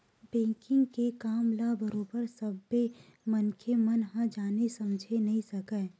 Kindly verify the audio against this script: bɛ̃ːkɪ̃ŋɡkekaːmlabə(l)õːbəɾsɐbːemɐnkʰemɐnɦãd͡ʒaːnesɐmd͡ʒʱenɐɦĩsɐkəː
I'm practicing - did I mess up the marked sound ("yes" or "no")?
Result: yes